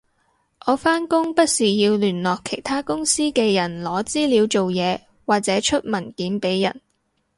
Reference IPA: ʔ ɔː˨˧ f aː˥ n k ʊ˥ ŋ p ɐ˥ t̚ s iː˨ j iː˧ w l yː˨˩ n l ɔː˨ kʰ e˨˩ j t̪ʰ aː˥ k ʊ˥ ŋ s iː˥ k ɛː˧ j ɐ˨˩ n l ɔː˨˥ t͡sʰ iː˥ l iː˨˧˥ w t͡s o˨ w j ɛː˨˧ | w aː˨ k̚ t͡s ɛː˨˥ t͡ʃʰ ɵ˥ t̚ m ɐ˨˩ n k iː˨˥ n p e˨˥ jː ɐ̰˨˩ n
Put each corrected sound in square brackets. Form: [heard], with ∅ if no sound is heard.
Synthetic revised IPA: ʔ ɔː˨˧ f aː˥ n k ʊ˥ ŋ p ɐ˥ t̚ s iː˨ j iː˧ w l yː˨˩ n l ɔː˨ kʰ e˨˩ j t̪ʰ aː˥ k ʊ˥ ŋ s iː˥ k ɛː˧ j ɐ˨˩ n l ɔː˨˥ [t͡s] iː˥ l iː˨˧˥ w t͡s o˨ w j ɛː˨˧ | w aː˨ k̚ t͡s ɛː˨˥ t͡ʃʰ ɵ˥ t̚ m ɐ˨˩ n k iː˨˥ n p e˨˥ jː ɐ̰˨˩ n